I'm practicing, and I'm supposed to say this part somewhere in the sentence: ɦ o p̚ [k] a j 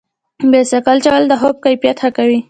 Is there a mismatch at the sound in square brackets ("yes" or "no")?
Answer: no